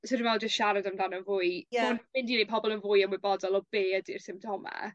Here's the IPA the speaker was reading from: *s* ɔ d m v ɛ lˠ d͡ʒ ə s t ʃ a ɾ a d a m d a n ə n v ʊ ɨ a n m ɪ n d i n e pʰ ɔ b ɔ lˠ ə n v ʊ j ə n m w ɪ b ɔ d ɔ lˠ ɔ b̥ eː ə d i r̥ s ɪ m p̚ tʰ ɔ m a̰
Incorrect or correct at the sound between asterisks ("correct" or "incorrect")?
correct